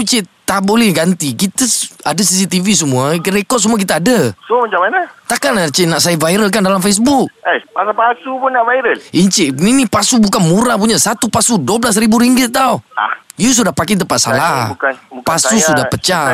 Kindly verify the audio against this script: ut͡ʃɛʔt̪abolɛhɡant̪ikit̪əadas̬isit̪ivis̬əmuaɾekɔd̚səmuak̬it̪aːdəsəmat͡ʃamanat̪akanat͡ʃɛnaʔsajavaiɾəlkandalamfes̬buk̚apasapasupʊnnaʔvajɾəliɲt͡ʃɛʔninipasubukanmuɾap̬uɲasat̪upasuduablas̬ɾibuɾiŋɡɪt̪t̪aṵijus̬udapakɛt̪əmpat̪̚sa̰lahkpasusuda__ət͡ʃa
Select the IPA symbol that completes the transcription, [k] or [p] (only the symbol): p